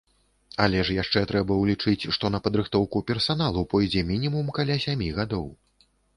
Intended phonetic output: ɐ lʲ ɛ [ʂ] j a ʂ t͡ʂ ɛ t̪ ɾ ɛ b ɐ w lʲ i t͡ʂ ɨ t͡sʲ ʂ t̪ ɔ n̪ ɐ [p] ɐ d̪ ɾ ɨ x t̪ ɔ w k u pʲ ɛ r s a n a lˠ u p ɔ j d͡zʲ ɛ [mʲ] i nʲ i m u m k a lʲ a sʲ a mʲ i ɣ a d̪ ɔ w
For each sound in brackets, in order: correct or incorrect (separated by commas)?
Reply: correct, correct, correct